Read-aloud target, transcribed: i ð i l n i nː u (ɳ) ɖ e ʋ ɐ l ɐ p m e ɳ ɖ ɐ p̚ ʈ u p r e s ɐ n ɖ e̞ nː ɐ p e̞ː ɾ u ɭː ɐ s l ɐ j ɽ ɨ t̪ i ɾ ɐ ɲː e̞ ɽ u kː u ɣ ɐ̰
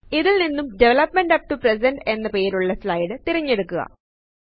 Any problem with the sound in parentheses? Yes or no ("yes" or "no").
yes